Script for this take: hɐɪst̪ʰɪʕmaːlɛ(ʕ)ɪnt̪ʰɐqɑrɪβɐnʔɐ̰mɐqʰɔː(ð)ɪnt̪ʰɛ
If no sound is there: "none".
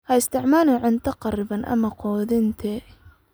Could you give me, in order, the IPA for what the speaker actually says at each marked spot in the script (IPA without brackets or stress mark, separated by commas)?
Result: ʕ, ð